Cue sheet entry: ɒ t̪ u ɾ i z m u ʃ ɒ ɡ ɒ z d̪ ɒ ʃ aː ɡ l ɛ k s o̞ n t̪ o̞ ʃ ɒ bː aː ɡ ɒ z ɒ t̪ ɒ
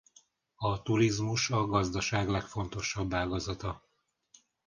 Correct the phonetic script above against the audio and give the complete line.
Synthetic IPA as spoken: ɒ t̪ u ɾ i z m u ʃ ɒ ɡ ɒ z d̪ ɒ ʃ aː ɡ l ɛ k f o̞ n t̪ o̞ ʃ ɒ bː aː ɡ ɒ z ɒ t̪ ɒ